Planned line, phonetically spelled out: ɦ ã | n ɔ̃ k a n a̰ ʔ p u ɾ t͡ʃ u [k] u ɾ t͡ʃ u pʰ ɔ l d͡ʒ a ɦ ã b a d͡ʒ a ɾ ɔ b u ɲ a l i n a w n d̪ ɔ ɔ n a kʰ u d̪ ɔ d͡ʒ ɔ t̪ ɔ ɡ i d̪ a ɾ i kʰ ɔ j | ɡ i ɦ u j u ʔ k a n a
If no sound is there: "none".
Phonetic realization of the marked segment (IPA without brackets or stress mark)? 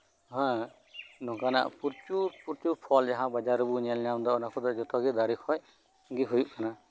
p